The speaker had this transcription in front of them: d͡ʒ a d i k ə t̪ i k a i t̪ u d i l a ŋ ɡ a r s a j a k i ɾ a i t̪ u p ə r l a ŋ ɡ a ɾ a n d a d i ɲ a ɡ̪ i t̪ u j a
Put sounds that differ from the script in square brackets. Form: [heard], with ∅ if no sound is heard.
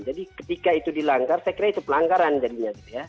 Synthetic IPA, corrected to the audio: d͡ʒ a d i k ə t̪ i k a i t̪ u d i l a ŋ ɡ a r s a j a k i ɾ a i t̪ u p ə [∅] l a ŋ ɡ a ɾ a n [d͡ʒ] a d i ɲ a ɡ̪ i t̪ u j a